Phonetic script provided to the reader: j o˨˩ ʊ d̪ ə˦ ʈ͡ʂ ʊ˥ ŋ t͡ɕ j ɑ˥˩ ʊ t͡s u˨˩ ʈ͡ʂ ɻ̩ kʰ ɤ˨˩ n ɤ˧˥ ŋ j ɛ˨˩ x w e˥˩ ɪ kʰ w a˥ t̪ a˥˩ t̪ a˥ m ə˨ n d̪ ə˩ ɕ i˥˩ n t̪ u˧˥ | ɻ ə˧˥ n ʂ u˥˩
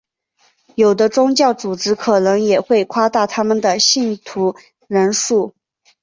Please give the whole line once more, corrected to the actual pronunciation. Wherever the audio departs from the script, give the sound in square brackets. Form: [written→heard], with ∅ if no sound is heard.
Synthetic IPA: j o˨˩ ʊ d̪ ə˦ ʈ͡ʂ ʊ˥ ŋ t͡ɕ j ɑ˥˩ ʊ t͡s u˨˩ ʈ͡ʂ ɻ̩ kʰ ɤ˨˩ n ɤ˧˥ ŋ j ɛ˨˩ x w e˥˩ ɪ kʰ w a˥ t̪ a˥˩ [t̪→t̪ʰ] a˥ m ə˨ n d̪ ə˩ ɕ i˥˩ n [t̪→t̪ʰ] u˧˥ | ɻ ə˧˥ n ʂ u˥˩

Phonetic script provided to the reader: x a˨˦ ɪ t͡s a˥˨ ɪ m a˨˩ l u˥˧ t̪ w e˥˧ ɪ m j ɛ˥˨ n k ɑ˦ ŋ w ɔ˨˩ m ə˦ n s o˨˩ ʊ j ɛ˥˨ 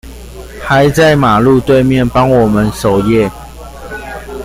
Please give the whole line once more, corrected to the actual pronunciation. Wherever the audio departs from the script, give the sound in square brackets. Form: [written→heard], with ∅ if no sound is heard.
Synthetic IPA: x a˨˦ ɪ t͡s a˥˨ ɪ m a˨˩ l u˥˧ t̪ w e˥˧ ɪ m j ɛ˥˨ n [k→p] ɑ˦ ŋ w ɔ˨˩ m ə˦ n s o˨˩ ʊ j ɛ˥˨

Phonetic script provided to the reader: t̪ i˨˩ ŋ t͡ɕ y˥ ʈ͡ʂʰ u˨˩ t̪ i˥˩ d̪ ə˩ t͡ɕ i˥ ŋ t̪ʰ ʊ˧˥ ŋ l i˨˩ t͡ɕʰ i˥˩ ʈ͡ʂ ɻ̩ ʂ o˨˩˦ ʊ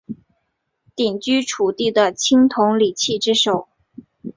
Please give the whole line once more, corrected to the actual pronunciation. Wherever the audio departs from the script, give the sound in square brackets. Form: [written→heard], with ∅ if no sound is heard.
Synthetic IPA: t̪ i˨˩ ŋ t͡ɕ y˥ ʈ͡ʂʰ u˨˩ t̪ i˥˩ d̪ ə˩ [t͡ɕ→t͡ɕʰ] i˥ ŋ t̪ʰ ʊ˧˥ ŋ l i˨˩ t͡ɕʰ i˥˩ ʈ͡ʂ ɻ̩ ʂ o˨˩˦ ʊ

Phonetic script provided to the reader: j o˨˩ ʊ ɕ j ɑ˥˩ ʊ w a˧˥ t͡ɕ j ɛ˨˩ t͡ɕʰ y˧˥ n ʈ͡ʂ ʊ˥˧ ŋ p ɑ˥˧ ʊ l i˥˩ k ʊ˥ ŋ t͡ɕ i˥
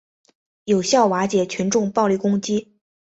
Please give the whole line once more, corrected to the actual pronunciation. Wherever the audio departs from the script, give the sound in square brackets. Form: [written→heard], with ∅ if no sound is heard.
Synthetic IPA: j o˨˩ ʊ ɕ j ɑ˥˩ ʊ w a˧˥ t͡ɕ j ɛ˨˩ t͡ɕʰ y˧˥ n ʈ͡ʂ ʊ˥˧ ŋ p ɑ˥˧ ʊ l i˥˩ k ʊ˥ ŋ t͡ɕ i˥

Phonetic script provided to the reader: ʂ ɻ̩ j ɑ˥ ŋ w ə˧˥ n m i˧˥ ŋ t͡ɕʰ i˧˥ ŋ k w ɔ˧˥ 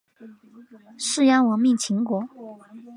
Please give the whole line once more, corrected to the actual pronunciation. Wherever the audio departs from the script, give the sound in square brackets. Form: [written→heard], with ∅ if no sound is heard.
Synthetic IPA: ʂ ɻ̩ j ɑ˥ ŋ w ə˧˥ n m [i˧˥→i˥˩] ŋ t͡ɕʰ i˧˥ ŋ k w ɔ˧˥

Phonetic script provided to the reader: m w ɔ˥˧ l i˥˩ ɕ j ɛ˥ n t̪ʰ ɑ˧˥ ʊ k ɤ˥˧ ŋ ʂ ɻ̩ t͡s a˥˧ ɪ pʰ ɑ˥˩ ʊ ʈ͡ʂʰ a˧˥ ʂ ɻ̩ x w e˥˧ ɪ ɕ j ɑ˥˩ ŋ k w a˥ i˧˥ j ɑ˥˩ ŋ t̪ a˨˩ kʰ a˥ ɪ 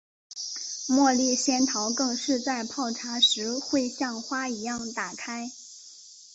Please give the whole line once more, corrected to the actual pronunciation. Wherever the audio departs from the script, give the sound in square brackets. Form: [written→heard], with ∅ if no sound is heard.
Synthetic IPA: m w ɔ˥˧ l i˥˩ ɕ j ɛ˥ n t̪ʰ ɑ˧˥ ʊ k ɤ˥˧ ŋ ʂ ɻ̩ t͡s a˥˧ ɪ pʰ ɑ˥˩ ʊ ʈ͡ʂʰ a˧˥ ʂ ɻ̩ x w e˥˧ ɪ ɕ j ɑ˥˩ ŋ [k→x] w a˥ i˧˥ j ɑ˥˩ ŋ t̪ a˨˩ kʰ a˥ ɪ

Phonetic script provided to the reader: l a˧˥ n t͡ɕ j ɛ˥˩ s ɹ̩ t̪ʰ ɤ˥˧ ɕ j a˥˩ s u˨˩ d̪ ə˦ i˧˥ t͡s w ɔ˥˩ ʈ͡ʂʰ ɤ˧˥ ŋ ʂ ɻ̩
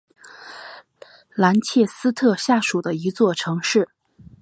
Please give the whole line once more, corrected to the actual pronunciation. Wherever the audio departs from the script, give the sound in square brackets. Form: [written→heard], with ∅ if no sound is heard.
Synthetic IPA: l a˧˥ n [t͡ɕ→t͡ɕʰ] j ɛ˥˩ s ɹ̩ t̪ʰ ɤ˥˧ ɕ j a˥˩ [s→ʂ] u˨˩ d̪ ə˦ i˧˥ t͡s w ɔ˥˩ ʈ͡ʂʰ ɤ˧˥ ŋ ʂ ɻ̩

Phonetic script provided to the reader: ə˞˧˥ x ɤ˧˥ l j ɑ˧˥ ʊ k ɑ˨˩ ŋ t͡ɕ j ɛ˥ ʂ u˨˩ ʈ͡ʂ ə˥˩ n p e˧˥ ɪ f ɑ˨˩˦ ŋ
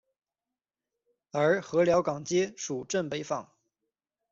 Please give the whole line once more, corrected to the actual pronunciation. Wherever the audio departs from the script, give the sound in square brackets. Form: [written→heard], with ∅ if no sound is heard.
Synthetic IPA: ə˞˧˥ x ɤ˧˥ l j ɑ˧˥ ʊ k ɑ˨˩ ŋ t͡ɕ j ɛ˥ ʂ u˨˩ ʈ͡ʂ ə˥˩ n p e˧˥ ɪ f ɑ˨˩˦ ŋ

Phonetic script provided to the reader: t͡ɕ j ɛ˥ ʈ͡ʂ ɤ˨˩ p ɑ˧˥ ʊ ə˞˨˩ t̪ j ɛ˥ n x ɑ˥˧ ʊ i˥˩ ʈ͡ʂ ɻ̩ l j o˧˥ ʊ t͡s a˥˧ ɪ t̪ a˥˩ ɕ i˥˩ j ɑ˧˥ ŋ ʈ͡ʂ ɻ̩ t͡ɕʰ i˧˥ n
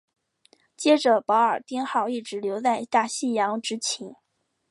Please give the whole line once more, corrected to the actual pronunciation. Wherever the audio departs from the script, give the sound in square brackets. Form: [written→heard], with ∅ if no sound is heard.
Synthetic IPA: t͡ɕ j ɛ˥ ʈ͡ʂ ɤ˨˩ p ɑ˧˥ ʊ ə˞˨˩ t̪ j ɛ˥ n x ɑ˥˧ ʊ i˥˩ ʈ͡ʂ ɻ̩ l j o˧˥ ʊ t͡s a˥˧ ɪ t̪ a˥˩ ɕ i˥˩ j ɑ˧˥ ŋ ʈ͡ʂ ɻ̩ t͡ɕʰ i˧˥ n

